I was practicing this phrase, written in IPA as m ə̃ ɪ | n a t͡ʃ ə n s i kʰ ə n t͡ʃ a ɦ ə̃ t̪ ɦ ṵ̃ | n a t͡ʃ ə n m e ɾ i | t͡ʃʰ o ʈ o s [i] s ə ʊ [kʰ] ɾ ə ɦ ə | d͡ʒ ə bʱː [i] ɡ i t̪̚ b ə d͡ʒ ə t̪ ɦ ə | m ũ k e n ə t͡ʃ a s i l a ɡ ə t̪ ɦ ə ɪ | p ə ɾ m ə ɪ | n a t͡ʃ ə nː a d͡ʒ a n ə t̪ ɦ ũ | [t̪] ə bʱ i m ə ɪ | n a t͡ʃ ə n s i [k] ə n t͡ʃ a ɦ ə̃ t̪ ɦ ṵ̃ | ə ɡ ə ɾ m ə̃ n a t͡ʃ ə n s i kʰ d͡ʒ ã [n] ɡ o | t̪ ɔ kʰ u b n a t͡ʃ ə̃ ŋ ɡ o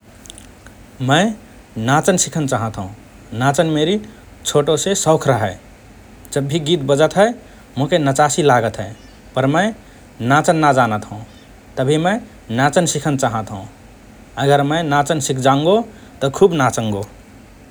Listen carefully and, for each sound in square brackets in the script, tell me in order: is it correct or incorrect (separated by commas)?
incorrect, correct, correct, correct, incorrect, incorrect